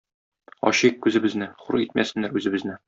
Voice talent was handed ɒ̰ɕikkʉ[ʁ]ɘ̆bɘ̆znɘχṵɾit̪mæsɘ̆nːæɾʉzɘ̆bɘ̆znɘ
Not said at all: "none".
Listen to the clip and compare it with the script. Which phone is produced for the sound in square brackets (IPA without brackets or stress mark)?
z